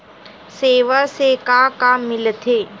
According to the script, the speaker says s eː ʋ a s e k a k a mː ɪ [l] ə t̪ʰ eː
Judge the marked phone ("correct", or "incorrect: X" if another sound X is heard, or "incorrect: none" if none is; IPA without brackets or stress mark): correct